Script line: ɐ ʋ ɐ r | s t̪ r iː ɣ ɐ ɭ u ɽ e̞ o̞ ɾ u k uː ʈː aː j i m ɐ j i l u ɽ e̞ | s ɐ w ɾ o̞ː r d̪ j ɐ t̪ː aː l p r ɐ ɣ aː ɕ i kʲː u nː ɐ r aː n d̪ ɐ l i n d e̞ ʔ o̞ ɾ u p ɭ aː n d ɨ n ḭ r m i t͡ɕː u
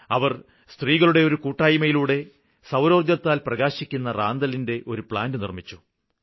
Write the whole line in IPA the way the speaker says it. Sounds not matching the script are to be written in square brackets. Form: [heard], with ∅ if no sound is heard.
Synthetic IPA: ɐ ʋ ɐ r | s t̪ r iː ɣ ɐ ɭ u ɽ e̞ o̞ ɾ u k uː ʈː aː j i m ɐ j i l [uː] ɽ e̞ | s ɐ w ɾ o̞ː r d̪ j ɐ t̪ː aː l p r ɐ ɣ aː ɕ i kʲː u nː ɐ r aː n d̪ ɐ l i n d e̞ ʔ o̞ ɾ u p ɭ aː n d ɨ n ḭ r m i t͡ɕː u